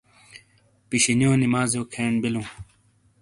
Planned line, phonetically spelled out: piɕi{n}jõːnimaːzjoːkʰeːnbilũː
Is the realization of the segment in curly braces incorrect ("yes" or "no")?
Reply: no